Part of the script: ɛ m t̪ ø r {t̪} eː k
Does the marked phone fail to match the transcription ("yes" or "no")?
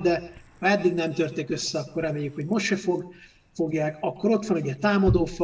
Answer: no